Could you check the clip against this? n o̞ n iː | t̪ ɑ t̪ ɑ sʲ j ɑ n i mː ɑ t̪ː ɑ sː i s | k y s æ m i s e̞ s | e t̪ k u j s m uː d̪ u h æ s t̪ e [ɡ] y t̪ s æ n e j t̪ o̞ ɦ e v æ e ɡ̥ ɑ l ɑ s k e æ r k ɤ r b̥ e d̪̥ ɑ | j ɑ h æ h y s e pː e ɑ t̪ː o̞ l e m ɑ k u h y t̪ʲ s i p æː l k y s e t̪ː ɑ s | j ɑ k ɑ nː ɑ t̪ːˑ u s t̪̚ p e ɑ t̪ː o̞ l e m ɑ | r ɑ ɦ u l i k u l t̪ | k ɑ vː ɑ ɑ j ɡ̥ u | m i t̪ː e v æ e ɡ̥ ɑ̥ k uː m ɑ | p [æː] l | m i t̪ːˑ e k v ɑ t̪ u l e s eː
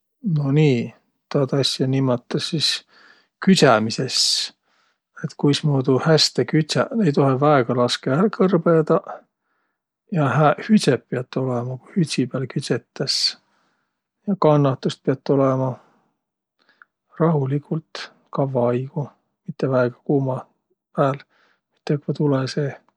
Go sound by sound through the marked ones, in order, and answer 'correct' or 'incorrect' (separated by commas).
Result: incorrect, correct